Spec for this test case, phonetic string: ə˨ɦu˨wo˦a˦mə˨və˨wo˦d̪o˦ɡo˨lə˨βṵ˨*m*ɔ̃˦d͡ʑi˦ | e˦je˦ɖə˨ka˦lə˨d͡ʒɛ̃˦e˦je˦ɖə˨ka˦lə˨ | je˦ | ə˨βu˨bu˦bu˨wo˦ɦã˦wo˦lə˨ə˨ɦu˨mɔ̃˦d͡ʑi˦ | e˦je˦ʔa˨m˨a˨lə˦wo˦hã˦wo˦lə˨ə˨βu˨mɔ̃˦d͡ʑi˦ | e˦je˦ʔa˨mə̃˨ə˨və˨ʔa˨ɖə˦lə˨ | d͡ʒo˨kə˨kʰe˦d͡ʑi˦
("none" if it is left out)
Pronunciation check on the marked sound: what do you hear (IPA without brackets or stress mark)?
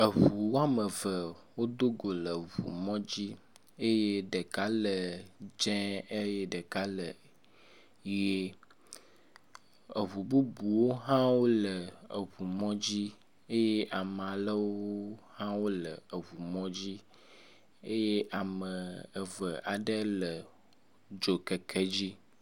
m